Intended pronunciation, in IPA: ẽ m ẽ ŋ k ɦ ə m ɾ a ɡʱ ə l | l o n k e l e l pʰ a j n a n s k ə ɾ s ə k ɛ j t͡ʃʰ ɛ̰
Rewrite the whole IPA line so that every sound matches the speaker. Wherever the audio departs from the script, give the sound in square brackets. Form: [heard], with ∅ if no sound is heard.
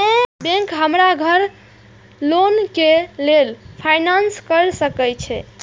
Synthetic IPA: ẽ [b] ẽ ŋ k ɦ ə m ɾ a ɡʱ ə [ɾ] | l o n k e l e l pʰ a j n a n s k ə ɾ s ə k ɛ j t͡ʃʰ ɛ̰